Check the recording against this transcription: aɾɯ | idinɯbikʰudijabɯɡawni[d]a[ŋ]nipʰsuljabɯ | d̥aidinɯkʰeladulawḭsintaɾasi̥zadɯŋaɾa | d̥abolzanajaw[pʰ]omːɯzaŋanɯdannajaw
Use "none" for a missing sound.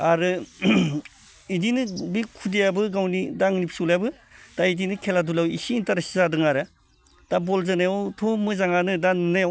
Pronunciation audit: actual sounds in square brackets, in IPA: d, ŋ, tʰ

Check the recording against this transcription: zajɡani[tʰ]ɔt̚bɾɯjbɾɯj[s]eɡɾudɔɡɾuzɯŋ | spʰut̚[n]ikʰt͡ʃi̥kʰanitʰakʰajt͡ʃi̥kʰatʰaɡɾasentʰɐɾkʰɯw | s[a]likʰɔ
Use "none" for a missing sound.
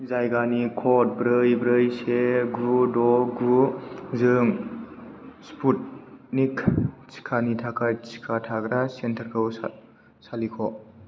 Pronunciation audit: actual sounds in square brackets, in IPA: kʰ, s, n, a

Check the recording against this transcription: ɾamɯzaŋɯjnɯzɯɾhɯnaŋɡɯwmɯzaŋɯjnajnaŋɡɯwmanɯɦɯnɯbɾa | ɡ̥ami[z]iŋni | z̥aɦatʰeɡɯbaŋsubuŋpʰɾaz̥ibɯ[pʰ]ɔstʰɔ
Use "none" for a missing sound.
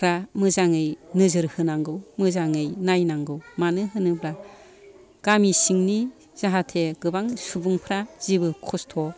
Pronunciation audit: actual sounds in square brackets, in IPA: s, kʰ

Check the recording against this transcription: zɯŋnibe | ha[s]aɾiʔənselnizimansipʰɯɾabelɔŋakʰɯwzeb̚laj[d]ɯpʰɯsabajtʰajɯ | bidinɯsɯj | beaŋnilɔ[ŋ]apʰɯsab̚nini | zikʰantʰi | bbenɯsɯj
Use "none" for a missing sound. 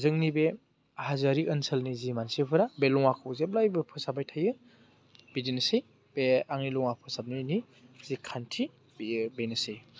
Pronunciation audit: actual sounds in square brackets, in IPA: z, b, ŋ

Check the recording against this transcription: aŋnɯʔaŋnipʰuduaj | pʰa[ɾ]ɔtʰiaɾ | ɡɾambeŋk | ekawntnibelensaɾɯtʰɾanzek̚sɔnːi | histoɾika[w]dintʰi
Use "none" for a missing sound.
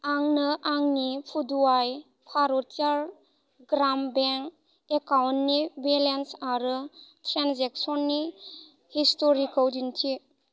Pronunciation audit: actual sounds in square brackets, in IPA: ɾ, w

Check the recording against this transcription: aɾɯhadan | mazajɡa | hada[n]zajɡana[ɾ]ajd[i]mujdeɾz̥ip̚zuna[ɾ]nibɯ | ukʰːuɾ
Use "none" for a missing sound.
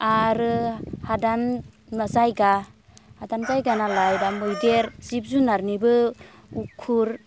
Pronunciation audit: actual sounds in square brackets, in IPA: n, l, a, ɾ

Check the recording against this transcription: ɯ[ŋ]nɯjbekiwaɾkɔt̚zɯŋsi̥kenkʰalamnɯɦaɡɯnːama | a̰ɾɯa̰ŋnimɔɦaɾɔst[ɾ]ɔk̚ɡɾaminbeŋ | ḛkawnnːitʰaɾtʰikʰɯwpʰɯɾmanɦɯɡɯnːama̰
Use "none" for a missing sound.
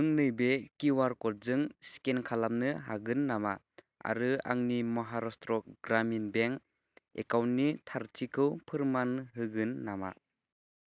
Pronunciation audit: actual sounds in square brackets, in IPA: ŋ, ɾ

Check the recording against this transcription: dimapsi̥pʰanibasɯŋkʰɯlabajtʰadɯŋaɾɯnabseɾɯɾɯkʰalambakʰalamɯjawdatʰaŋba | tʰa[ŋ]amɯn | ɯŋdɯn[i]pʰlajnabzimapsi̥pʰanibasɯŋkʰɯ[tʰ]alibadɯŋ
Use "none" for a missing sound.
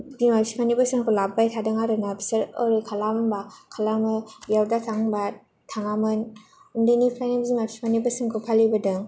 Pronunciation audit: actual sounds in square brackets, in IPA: ŋ, i, pʰ

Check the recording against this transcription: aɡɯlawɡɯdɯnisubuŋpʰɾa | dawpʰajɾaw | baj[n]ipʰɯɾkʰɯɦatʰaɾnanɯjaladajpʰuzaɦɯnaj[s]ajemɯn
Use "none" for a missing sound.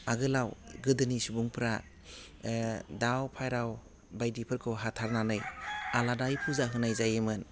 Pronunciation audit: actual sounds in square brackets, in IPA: d, z

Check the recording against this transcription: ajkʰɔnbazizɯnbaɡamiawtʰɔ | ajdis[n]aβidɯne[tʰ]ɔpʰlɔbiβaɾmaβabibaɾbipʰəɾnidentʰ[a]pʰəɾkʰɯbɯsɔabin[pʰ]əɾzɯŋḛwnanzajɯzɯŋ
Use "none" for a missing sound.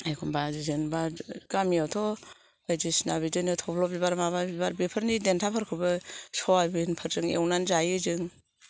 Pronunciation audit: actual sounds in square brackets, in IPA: n, tʰ, a, pʰ

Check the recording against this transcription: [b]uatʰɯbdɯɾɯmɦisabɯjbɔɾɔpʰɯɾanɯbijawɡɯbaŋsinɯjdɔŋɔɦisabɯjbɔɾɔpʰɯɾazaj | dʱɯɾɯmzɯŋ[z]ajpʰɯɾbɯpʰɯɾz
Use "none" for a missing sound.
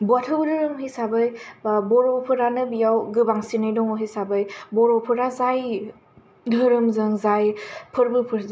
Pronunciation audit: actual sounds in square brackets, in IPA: b, z

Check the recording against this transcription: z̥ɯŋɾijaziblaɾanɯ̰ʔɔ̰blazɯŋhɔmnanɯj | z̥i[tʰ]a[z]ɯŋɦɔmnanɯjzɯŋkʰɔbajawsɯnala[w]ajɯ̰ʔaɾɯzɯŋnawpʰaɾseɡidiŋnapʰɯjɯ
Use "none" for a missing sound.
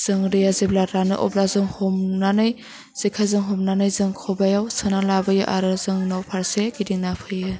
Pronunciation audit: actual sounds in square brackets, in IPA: kʰ, z, b

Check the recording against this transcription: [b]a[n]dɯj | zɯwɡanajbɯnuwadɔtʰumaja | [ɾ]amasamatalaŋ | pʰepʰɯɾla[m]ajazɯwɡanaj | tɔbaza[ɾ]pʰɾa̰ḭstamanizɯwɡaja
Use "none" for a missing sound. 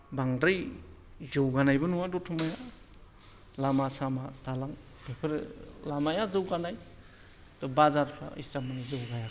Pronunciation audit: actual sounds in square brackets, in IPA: b, ŋ, l, m, ɾ

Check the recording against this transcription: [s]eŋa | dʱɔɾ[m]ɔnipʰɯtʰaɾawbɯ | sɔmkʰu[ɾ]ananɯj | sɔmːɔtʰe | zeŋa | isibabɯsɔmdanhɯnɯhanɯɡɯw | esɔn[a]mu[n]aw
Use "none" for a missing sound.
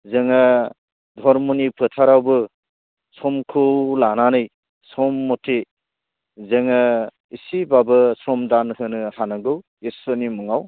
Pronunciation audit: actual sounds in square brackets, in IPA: z, m, l, i, ŋ

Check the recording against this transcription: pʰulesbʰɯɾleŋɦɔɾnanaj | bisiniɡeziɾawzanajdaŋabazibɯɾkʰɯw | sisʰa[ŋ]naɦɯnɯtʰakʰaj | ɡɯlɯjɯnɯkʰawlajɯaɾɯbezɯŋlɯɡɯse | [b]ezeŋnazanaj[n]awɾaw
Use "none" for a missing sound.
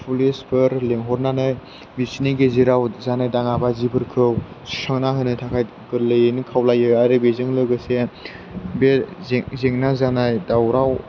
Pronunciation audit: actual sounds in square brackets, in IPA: ŋ, b, d

